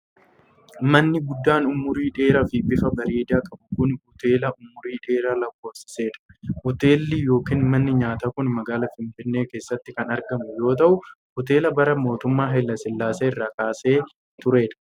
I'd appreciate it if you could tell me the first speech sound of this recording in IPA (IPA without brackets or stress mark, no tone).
m